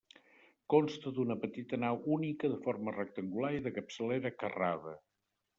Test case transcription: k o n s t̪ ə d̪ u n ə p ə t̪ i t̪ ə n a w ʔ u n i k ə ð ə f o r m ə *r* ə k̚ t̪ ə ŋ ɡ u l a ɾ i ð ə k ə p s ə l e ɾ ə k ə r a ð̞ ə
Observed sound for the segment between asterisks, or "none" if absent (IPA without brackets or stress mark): r